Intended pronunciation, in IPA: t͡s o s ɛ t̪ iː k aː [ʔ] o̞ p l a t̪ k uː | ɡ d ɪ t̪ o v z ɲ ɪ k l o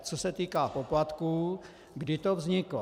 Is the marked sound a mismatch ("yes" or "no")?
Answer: yes